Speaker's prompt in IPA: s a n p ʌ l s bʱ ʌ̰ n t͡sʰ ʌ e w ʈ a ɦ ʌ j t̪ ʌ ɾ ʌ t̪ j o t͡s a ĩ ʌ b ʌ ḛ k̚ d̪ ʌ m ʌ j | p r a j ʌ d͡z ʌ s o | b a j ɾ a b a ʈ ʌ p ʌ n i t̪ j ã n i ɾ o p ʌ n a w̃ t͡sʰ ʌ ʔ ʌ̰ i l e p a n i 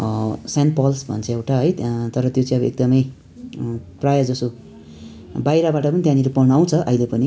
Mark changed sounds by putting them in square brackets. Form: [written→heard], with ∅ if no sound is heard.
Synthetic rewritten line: s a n p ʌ l s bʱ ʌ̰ n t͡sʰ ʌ e w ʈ a ɦ ʌ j t̪ ʌ ɾ ʌ t̪ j o t͡s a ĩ ʌ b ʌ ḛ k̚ d̪ ʌ m ʌ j | p r a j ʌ d͡z ʌ s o | b a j ɾ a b a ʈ ʌ p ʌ n i t̪ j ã n i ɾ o p ʌ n a w̃ t͡sʰ ʌ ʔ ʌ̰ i l e p [a→ʌ] n i